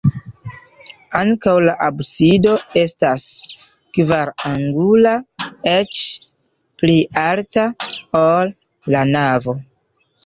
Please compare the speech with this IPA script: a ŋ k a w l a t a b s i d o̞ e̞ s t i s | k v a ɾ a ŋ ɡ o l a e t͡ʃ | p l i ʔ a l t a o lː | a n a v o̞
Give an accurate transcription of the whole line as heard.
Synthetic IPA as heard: a ŋ k a w l a ʔ a b s i d o̞ e̞ s t a s | k v a ɾ a ŋ ɡ u l a e t͡ʃ | p l i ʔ a l t a o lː | a n a v o̞